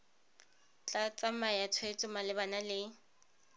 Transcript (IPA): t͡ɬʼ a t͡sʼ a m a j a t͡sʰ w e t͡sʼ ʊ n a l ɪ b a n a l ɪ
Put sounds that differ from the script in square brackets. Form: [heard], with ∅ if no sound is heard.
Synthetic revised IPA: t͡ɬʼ a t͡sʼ a m a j a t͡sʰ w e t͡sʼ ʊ [m] a l ɪ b a n a l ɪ